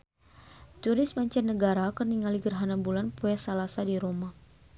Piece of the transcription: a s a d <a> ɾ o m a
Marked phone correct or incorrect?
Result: incorrect